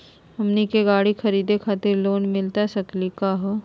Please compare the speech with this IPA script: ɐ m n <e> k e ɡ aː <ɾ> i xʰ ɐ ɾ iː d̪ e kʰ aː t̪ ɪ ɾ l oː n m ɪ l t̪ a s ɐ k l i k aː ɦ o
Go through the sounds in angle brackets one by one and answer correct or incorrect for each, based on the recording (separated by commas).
incorrect, incorrect